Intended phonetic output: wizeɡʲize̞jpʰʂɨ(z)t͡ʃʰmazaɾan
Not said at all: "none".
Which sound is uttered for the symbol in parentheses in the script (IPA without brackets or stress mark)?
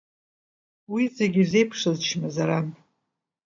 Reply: z